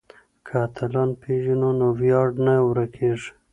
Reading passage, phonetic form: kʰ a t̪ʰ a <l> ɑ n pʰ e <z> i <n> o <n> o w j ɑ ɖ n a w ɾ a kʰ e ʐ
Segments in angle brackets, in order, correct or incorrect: correct, incorrect, correct, correct

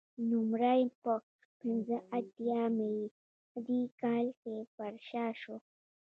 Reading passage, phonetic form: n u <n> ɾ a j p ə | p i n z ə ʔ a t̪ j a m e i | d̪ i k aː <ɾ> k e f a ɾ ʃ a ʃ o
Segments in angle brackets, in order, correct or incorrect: incorrect, incorrect

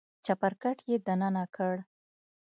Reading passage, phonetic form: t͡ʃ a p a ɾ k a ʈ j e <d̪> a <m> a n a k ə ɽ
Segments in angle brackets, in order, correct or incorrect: correct, incorrect

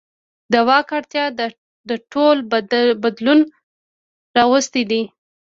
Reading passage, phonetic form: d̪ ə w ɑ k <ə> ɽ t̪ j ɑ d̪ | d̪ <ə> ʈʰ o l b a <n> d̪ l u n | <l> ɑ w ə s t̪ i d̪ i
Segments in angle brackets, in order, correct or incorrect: incorrect, correct, incorrect, incorrect

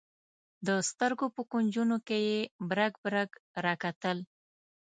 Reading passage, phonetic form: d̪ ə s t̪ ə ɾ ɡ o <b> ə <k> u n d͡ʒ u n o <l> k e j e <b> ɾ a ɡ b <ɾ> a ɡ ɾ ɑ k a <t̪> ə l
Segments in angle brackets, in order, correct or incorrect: incorrect, correct, incorrect, correct, correct, correct

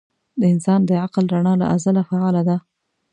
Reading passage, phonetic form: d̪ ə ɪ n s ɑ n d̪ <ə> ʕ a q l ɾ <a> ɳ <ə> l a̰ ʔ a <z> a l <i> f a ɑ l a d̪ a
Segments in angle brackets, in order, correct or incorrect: correct, correct, incorrect, correct, incorrect

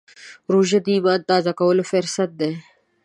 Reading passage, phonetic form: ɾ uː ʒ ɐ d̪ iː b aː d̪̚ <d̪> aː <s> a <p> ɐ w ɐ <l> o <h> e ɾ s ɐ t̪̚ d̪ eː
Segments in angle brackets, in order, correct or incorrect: incorrect, incorrect, incorrect, correct, incorrect

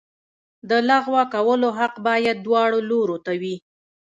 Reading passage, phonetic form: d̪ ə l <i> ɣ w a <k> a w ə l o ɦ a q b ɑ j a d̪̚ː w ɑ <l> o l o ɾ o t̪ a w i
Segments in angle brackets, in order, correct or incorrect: incorrect, correct, incorrect

